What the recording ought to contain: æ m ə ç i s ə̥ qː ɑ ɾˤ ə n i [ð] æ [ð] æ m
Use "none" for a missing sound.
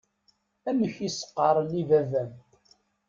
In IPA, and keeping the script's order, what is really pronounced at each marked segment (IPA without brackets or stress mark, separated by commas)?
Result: v, v